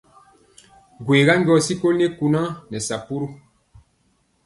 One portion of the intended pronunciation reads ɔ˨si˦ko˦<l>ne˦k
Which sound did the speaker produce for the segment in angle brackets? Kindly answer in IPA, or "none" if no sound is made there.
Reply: l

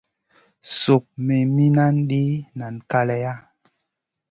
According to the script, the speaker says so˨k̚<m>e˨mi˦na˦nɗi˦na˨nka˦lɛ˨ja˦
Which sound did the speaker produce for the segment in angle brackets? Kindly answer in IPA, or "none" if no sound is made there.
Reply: m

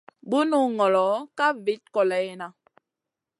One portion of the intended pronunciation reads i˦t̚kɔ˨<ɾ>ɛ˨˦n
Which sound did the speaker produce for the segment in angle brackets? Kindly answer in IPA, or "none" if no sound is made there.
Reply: l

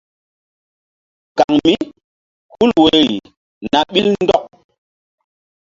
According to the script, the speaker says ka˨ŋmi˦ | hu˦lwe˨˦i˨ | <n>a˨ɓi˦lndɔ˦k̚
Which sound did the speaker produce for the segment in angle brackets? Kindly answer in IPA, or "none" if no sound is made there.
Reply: n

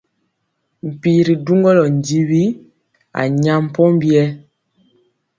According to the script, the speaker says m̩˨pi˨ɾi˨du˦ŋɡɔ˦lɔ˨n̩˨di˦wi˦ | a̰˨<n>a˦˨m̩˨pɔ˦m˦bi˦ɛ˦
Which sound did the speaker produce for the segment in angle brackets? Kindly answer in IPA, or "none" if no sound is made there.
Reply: ɲ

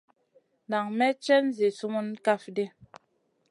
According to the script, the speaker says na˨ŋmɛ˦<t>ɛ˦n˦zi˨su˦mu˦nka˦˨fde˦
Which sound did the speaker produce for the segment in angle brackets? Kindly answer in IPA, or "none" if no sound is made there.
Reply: t͡ʃ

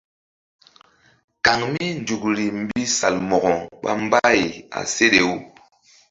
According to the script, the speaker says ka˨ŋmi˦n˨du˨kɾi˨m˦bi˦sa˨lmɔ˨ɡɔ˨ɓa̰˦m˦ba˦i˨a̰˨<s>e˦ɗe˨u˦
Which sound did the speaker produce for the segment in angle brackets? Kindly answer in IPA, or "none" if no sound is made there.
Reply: s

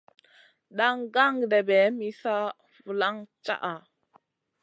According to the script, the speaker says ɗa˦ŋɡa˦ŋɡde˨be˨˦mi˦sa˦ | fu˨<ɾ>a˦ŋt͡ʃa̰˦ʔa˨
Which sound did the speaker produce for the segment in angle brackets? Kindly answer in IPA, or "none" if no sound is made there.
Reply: l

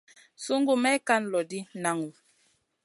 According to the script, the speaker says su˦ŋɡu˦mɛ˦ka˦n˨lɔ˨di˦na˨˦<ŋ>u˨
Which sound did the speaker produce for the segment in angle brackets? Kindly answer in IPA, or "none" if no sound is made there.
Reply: ŋ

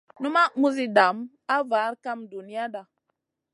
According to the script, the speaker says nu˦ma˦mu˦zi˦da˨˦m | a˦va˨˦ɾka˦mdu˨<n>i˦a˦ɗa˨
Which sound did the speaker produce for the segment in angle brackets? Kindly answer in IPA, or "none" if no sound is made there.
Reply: n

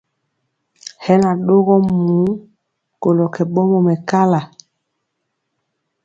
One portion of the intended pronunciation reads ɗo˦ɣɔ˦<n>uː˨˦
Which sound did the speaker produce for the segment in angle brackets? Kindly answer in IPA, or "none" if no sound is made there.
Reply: m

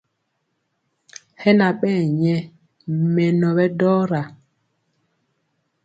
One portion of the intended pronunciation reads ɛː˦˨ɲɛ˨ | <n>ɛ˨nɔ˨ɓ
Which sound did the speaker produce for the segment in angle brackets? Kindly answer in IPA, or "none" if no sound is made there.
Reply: m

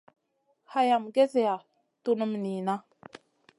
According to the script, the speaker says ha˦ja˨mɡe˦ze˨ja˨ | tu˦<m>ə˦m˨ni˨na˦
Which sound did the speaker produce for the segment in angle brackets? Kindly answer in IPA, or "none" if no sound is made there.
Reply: n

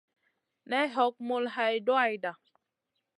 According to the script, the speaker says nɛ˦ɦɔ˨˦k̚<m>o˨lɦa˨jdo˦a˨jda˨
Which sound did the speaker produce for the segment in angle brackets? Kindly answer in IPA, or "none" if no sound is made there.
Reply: m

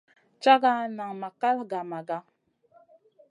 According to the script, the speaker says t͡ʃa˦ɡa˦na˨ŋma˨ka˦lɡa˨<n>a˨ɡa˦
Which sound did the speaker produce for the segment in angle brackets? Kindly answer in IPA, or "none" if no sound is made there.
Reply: m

